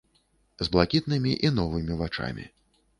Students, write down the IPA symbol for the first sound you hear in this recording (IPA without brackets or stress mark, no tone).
z